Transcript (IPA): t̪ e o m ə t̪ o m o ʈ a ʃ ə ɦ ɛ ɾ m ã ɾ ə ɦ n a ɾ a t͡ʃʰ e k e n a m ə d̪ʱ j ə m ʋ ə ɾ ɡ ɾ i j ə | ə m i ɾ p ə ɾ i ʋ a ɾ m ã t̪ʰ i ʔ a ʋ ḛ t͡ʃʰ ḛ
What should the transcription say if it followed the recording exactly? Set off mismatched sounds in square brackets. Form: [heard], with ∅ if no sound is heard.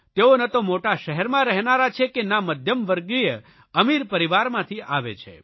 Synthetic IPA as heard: t̪ e o [n] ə t̪ o m o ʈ a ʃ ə ɦ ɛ ɾ m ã ɾ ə ɦ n a ɾ a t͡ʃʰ e k e n a m ə d̪ʱ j ə m ʋ ə ɾ ɡ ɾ i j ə | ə m i ɾ p ə ɾ i ʋ a ɾ m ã t̪ʰ i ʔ a ʋ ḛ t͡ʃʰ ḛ